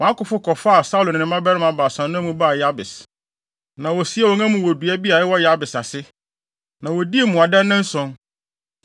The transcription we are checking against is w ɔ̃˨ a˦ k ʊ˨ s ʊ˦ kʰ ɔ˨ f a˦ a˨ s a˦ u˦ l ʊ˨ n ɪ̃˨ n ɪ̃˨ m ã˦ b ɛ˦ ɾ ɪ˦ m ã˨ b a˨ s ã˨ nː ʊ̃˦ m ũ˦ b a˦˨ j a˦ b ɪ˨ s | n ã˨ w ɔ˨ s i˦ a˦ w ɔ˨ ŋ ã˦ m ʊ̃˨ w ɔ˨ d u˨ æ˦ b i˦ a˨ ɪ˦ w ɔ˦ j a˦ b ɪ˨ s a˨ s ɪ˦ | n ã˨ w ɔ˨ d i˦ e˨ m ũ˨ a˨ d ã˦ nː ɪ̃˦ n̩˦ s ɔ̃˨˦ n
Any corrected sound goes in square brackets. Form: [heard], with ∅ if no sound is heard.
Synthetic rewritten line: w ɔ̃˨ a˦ k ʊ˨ [f] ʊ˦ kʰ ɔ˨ f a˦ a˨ s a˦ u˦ l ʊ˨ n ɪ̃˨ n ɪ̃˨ m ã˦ b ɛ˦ ɾ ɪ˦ m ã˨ b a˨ s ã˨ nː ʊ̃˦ m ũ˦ b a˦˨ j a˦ b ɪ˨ s | n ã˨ w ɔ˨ s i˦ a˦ w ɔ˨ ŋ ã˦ m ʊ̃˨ w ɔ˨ d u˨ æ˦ b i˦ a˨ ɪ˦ w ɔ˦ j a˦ b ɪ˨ s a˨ s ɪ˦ | n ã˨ w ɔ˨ d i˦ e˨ m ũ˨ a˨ d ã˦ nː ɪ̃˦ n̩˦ s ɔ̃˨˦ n